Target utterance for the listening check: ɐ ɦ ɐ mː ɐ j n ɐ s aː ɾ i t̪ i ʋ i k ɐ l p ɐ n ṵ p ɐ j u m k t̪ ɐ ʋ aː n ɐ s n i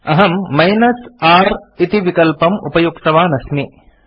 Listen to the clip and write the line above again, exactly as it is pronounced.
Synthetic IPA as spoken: ɐ ɦ ɐ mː ɐ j n ɐ s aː ɾ i t̪ i ʋ i k ɐ l p ɐ m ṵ p ɐ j u k t̪ ɐ ʋ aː n ɐ s m i